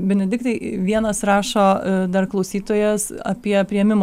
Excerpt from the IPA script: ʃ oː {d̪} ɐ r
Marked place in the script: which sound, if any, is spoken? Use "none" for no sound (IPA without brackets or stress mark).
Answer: d̪